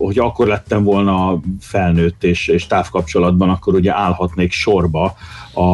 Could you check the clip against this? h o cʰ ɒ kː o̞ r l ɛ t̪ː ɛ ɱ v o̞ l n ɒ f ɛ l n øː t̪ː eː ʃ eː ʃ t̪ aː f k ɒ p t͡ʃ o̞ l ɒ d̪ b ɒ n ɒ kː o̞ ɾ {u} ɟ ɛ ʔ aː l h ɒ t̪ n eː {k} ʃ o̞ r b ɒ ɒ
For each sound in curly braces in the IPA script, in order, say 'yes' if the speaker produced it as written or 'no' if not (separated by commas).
yes, yes